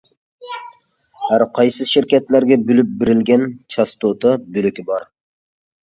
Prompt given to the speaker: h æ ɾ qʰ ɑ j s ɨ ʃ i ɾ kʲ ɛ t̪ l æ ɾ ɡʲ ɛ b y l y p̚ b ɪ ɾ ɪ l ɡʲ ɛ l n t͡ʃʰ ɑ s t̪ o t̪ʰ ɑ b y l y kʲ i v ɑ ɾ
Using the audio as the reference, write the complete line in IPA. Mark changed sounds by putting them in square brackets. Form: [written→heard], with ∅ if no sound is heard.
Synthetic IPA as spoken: h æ ɾ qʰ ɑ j s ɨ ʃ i ɾ kʲ ɛ t̪ l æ ɾ ɡʲ ɛ b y l y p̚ b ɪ ɾ ɪ l ɡʲ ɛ [l→∅] n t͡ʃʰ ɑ s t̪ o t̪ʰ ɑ b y l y kʲ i [v→b] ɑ ɾ